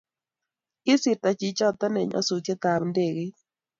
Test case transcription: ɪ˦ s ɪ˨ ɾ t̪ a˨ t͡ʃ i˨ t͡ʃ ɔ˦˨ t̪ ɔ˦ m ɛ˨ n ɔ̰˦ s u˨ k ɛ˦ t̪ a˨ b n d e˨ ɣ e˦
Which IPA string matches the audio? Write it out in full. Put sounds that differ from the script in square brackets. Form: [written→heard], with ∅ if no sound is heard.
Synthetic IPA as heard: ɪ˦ s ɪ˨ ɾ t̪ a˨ t͡ʃ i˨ t͡ʃ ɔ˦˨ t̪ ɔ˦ [m→n] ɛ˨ [n→ɲ] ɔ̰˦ s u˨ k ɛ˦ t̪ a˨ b n d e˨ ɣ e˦